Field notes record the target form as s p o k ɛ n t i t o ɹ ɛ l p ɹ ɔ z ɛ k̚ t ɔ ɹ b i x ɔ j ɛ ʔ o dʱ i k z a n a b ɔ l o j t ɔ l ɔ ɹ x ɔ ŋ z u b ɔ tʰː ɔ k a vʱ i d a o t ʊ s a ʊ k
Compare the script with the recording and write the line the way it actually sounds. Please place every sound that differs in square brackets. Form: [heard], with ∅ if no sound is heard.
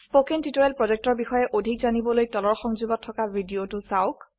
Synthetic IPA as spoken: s p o k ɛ n t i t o ɹ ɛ l p ɹ ɔ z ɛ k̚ t ɔ ɹ b i x ɔ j ɛ ʔ o dʱ i k z a n [i] b ɔ l o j t ɔ l ɔ ɹ x ɔ ŋ z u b ɔ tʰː ɔ k a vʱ i d [i] o t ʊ s a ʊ k